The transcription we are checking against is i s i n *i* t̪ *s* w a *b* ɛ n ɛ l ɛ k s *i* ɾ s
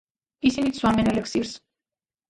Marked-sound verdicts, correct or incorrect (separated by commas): correct, correct, incorrect, correct